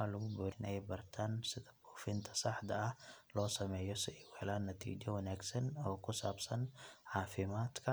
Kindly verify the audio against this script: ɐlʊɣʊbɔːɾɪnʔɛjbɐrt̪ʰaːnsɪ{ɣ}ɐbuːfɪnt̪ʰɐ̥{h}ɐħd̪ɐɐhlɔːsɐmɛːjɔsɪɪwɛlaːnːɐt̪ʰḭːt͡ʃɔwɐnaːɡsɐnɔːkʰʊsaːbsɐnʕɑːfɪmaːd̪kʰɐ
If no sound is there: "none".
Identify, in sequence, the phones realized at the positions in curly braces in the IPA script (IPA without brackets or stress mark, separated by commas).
ð, s